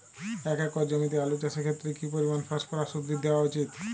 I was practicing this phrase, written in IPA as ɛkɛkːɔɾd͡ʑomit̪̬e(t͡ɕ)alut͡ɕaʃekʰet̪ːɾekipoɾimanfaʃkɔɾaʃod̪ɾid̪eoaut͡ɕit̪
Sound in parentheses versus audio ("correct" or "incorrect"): incorrect